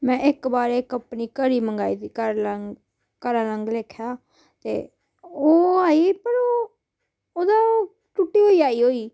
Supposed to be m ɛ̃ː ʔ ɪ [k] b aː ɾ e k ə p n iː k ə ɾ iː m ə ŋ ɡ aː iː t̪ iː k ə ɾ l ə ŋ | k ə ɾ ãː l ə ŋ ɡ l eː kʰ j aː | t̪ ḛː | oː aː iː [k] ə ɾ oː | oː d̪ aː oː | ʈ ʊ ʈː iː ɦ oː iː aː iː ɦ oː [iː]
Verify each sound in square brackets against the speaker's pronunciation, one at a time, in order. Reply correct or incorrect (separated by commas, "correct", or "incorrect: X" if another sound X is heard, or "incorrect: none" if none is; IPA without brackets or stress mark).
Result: correct, incorrect: p, correct